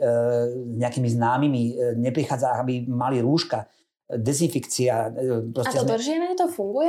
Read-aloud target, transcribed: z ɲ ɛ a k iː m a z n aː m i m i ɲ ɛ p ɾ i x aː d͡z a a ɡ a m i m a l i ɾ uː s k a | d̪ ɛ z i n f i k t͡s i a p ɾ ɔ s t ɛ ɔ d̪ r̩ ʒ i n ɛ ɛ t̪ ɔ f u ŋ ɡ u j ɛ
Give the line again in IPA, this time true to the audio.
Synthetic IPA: z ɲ ɛ a k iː m i z n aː m i m i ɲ ɛ p ɾ i x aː d͡z a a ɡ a b i m a l i ɾ uː ʃ k a | d̪ ɛ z i n f i k t͡s i a p ɾ ɔ s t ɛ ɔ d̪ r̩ ʒ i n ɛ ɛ t̪ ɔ f u ŋ ɡ u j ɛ